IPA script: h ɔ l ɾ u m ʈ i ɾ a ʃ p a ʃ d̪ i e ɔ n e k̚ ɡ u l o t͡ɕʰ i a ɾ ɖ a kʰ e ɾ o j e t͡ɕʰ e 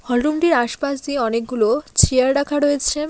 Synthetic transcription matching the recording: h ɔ l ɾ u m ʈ i ɾ a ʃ p a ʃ d̪ i e ɔ n e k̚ ɡ u l o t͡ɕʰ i a ɾ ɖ a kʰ a ɾ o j e t͡ɕʰ e